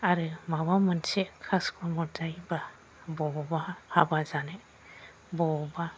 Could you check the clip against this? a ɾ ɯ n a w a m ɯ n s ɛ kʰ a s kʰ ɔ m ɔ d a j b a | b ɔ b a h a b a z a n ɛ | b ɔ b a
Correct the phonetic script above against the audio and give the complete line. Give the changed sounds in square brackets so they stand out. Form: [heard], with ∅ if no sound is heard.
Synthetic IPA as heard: a ɾ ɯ [m] a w a m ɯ n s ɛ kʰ a s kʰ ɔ m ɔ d a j b a | b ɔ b a h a b a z a n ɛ | b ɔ b a